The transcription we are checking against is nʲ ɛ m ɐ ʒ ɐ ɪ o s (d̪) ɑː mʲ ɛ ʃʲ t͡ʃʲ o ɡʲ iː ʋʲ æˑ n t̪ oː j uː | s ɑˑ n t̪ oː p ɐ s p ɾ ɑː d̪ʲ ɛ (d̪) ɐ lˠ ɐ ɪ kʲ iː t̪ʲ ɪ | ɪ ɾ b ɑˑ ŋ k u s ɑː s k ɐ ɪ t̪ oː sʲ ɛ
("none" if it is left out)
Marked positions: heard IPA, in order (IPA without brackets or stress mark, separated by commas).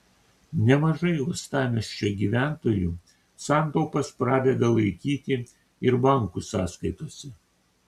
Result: t̪, d̪